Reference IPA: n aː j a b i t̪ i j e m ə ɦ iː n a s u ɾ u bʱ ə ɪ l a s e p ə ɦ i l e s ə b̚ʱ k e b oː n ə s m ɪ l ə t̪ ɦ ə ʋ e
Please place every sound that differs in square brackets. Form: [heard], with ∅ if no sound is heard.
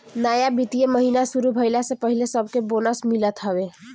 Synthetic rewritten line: n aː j a b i t̪ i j e m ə ɦ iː n a s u ɾ u bʱ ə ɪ l a s e p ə ɦ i l e s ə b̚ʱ k e b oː n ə s m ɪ l ə t̪ ɦ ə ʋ e